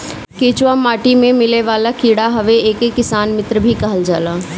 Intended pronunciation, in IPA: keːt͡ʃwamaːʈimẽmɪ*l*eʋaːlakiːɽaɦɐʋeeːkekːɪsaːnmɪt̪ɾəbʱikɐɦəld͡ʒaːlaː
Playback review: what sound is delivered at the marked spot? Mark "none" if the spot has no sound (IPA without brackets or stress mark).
l